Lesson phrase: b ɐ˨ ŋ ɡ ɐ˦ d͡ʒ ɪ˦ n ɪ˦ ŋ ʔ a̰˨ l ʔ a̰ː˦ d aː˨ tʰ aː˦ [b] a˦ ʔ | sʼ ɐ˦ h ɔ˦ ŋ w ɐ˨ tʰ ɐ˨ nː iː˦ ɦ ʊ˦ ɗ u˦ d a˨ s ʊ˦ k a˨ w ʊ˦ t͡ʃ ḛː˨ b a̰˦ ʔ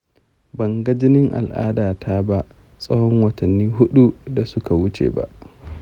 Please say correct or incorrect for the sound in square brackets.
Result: correct